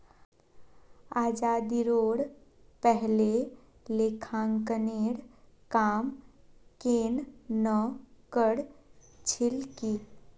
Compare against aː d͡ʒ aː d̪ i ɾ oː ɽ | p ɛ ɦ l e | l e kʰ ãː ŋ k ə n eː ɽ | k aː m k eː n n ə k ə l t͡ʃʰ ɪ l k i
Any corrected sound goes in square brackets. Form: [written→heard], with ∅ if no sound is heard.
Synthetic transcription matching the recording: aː d͡ʒ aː d̪ i ɾ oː ɽ | p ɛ ɦ l e | l e kʰ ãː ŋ k ə n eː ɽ | k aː m k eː n n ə k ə [l→ɽ] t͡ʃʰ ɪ l k i